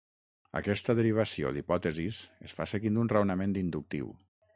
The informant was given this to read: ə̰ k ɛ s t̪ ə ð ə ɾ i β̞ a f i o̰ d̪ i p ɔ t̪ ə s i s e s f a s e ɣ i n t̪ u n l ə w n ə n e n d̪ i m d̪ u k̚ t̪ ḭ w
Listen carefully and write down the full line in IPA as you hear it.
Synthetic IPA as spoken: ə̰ k ɛ s t̪ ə ð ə ɾ i β̞ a s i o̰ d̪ i p ɔ t̪ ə z i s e s f a s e ɣ i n d̪ u n r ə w n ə m e n d̪ i n d̪ u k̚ t̪ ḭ w